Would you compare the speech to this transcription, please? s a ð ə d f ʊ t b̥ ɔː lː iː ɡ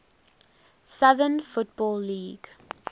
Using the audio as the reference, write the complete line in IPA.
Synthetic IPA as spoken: s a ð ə n f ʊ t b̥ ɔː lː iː ɡ